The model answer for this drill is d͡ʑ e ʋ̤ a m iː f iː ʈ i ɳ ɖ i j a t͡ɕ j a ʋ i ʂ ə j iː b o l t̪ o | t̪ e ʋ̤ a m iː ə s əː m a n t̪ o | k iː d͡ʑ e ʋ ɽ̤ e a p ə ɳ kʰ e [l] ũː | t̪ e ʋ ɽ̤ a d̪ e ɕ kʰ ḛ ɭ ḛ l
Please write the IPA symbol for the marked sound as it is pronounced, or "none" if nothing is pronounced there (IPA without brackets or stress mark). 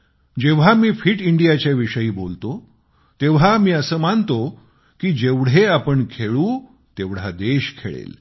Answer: ɭ